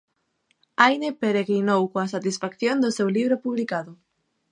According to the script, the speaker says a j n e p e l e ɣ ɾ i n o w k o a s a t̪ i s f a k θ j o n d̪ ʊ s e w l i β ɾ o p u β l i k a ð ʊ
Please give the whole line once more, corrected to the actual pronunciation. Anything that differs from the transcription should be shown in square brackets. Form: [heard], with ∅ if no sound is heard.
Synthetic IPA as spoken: a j n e p e [ɾ] e ɣ ɾ i n o w k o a s a t̪ i s f a k θ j o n d̪ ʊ s e w l i β ɾ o p u β l i k a ð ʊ